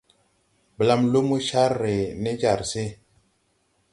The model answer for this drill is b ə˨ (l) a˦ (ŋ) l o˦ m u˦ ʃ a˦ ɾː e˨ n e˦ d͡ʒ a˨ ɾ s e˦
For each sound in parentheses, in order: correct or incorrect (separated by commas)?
correct, incorrect